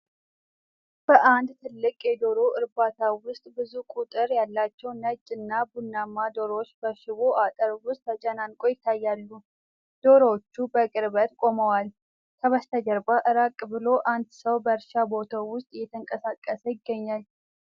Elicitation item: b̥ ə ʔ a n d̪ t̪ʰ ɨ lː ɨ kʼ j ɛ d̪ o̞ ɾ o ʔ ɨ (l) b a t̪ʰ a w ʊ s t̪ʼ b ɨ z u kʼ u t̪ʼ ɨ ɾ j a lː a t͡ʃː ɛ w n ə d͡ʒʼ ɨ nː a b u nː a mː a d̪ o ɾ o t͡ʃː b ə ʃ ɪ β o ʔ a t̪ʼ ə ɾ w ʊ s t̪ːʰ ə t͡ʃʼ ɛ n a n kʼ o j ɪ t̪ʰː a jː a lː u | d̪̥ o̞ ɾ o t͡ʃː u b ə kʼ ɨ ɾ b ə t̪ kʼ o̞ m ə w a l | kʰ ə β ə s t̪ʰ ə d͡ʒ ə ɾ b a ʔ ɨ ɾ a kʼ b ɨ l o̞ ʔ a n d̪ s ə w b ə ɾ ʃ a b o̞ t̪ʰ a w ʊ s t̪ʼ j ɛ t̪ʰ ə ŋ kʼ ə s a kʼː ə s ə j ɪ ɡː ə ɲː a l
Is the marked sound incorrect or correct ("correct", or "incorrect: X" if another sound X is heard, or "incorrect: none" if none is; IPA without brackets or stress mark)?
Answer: incorrect: ɾ